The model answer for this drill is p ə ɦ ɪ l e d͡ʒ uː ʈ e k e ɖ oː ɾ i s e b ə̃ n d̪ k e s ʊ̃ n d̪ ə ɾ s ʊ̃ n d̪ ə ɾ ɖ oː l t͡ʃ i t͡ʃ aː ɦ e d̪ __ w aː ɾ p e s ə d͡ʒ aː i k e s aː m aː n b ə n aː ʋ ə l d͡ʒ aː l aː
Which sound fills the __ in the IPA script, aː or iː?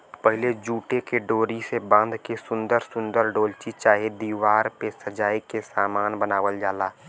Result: iː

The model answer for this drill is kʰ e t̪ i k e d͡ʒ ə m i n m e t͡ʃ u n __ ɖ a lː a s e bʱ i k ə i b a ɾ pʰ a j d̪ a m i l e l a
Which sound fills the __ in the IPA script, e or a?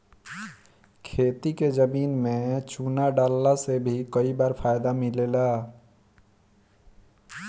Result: a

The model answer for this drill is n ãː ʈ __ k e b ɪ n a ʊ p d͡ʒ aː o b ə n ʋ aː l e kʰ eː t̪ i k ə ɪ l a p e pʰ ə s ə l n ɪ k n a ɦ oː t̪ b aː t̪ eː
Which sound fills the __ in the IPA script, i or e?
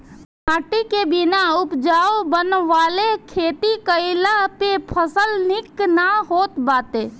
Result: i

